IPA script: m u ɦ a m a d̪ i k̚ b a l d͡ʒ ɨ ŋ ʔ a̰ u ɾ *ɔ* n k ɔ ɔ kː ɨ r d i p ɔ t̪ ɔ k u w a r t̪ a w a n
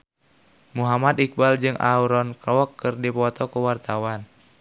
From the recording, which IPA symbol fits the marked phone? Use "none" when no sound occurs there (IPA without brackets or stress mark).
ɔ